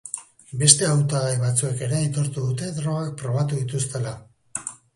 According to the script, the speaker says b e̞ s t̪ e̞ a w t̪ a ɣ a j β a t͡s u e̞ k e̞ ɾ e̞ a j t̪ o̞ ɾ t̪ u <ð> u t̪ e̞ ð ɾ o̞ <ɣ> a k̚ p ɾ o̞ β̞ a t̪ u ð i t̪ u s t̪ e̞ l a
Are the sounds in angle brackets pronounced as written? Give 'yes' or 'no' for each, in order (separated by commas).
yes, yes